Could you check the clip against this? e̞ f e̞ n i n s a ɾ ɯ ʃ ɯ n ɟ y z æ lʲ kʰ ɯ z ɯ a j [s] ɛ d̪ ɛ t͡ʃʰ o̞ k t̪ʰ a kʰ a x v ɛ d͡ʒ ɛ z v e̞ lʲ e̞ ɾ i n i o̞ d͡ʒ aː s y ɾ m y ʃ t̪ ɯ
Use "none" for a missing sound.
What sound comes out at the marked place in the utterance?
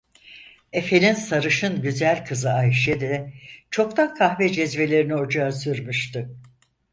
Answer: ʃ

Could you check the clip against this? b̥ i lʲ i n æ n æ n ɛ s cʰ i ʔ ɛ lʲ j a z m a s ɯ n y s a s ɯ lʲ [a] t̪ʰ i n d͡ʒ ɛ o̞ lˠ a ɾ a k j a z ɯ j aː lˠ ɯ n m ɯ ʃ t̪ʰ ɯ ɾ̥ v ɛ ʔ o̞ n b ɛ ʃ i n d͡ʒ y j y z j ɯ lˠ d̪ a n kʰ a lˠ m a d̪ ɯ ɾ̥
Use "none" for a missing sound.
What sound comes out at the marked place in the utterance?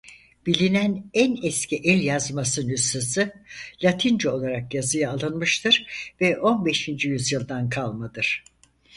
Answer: a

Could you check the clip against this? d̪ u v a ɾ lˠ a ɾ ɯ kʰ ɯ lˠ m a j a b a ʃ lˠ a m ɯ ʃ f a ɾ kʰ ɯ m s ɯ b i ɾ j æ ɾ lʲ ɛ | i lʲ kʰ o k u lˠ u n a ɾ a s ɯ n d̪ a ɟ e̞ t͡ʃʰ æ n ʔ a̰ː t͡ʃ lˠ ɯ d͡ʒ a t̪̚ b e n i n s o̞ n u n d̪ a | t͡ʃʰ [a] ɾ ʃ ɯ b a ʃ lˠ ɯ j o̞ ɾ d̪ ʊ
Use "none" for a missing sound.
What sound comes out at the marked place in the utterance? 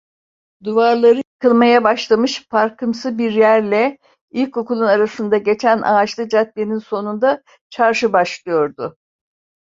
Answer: a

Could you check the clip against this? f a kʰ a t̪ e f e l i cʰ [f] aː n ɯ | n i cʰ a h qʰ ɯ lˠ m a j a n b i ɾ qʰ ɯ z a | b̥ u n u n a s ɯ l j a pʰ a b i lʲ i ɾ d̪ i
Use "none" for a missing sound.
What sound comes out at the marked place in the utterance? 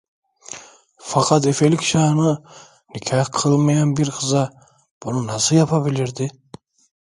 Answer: ʃ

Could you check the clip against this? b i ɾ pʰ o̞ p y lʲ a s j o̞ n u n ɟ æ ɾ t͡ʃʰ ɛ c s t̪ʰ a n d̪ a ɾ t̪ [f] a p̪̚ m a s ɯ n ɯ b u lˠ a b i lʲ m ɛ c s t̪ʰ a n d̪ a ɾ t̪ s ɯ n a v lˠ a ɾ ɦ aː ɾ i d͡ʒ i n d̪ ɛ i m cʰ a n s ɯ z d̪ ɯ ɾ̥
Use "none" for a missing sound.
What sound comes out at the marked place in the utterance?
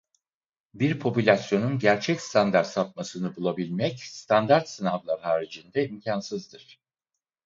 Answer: s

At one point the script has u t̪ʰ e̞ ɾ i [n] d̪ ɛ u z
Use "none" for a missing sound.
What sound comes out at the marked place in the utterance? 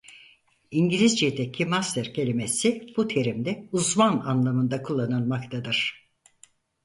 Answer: m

